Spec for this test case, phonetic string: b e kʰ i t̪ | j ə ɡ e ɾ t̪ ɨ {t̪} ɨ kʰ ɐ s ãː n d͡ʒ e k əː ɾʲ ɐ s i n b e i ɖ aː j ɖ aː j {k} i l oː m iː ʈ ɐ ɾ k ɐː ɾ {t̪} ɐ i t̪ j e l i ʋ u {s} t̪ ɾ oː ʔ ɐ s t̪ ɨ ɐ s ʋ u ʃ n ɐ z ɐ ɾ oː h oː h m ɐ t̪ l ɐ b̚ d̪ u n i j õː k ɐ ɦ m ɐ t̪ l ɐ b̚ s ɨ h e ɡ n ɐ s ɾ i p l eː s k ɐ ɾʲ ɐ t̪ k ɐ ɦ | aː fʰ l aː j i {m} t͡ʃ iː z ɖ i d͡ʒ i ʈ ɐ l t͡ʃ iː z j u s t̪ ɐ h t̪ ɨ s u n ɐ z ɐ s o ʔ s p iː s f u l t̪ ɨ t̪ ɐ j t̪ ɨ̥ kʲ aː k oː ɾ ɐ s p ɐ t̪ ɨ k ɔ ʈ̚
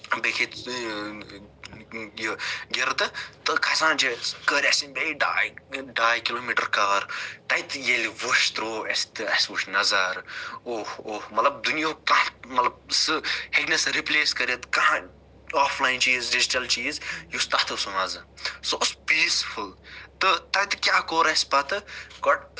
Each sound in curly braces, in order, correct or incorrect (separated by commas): correct, correct, correct, incorrect, incorrect